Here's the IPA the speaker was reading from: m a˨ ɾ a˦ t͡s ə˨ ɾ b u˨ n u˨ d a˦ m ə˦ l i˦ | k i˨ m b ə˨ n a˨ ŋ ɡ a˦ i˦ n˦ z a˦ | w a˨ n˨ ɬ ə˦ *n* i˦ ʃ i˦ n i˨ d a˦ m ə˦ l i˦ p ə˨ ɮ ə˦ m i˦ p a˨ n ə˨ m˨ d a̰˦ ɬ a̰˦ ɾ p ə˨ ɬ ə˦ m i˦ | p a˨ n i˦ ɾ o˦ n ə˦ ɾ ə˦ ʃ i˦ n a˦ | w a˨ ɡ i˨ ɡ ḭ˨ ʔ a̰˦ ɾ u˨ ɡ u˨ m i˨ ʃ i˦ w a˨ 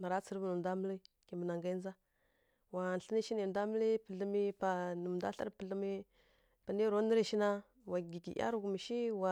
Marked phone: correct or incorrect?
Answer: correct